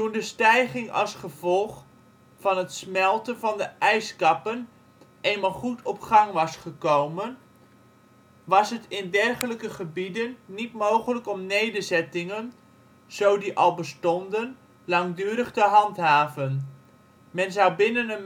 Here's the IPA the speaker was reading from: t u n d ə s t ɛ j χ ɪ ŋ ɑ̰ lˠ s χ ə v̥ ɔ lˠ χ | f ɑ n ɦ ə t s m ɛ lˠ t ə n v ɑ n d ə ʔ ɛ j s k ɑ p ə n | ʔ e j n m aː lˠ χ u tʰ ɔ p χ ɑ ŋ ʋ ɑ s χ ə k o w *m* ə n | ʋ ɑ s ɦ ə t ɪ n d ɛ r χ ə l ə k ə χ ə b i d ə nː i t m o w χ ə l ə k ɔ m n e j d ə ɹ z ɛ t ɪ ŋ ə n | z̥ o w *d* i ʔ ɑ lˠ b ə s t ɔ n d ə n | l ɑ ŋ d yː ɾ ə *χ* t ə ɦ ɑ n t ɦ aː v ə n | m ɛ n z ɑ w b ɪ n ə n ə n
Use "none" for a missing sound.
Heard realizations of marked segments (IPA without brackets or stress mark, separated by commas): m, d, χ